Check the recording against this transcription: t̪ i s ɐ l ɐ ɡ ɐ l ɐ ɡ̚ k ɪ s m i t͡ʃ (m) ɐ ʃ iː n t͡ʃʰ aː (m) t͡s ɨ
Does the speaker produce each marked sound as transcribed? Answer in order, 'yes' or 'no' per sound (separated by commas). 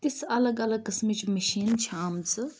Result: yes, yes